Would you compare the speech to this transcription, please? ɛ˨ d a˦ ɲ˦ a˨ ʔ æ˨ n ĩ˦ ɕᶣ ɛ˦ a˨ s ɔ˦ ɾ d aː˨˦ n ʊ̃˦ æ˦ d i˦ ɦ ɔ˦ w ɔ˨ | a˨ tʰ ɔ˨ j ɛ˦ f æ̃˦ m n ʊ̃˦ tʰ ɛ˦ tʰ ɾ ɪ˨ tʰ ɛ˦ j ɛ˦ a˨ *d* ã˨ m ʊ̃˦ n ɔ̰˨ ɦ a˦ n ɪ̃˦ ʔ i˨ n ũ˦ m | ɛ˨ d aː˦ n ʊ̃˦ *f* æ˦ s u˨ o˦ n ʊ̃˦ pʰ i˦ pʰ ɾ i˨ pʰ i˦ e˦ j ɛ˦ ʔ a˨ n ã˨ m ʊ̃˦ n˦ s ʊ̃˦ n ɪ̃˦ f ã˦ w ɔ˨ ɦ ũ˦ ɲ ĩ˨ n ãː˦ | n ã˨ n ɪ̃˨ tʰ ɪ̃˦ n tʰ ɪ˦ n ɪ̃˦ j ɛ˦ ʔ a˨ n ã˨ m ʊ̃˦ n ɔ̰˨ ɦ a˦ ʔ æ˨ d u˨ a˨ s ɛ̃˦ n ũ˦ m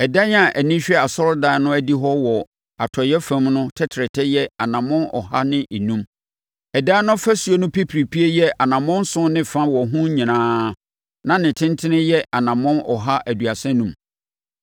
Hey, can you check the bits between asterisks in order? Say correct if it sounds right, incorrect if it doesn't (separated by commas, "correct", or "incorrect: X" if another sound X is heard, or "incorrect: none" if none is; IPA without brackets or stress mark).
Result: incorrect: n, correct